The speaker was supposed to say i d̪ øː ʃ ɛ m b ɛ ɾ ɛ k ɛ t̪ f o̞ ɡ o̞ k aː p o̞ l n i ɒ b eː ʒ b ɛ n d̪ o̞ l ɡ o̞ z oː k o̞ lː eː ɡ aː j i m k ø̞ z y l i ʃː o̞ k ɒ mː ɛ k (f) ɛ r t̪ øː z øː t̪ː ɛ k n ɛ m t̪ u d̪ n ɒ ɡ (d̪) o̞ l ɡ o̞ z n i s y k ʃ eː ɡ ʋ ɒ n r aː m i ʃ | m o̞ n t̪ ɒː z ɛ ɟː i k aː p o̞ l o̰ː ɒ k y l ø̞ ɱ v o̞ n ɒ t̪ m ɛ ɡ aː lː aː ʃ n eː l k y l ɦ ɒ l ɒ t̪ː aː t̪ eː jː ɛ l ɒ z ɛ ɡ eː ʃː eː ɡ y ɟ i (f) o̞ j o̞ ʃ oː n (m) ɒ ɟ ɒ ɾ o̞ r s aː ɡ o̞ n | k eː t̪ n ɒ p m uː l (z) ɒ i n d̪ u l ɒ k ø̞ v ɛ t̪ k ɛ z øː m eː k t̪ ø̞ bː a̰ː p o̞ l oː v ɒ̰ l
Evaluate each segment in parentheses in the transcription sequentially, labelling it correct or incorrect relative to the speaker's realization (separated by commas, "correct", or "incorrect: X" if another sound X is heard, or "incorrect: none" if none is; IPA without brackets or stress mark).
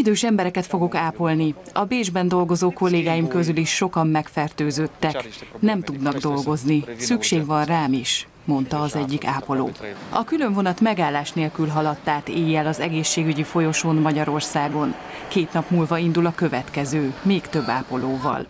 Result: correct, correct, correct, correct, incorrect: v